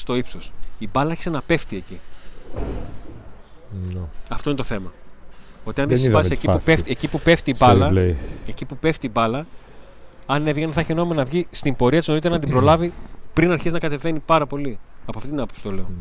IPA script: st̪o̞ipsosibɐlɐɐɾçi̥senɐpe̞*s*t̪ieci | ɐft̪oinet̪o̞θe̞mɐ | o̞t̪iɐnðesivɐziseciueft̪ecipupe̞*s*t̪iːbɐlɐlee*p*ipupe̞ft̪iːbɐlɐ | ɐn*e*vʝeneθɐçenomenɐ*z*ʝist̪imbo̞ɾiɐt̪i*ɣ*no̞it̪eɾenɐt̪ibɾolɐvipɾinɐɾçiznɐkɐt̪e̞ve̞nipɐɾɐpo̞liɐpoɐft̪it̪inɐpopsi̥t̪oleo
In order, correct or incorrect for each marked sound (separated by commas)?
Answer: incorrect, incorrect, incorrect, correct, incorrect, incorrect